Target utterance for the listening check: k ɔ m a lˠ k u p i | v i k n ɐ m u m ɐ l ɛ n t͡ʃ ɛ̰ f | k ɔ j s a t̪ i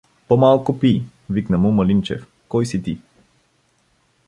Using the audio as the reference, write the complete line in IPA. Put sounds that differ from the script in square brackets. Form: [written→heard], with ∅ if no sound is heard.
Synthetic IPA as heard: [k→p] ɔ m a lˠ k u p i | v i k n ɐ m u m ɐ l [ɛ→i] n t͡ʃ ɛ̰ f | k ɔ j s [a→i] t̪ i